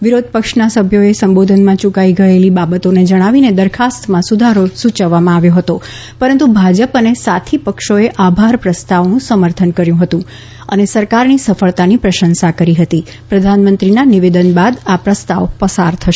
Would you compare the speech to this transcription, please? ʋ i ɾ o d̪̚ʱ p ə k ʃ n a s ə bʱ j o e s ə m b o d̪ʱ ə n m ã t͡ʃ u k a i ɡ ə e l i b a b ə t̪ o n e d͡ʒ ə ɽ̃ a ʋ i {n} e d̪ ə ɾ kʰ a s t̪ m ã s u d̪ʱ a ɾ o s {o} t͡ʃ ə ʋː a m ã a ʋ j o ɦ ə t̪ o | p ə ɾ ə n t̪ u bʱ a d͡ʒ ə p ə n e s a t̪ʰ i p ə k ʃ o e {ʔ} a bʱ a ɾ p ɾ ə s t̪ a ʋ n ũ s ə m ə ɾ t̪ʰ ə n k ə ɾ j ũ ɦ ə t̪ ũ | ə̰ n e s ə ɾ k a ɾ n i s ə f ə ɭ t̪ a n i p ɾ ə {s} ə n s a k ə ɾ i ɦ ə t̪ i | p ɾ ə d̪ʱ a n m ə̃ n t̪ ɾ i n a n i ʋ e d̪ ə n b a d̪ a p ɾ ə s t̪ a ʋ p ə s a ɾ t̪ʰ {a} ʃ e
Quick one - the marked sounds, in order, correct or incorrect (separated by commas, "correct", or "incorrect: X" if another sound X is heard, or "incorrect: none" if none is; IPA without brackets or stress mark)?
correct, incorrect: u, correct, incorrect: ʃ, incorrect: ə